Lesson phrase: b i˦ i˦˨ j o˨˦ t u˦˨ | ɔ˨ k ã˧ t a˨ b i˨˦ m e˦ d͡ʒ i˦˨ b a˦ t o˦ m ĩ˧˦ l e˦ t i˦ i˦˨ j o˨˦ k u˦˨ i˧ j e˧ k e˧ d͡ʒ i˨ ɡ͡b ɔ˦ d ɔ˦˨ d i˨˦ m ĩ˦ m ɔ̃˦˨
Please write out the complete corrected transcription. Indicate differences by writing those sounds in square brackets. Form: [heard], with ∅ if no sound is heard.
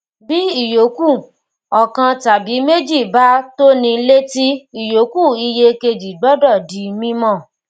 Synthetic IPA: b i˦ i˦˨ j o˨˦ [k] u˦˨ | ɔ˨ k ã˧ t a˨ b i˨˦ m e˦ d͡ʒ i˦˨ b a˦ t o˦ [n] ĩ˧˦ l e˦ t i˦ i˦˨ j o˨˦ k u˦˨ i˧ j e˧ k e˧ d͡ʒ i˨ ɡ͡b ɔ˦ d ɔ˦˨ d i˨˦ m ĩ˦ m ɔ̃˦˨